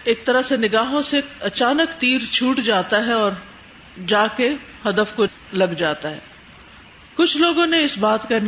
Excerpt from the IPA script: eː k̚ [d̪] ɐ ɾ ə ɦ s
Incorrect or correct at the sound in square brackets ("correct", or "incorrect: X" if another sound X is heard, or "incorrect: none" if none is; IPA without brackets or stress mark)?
incorrect: t̪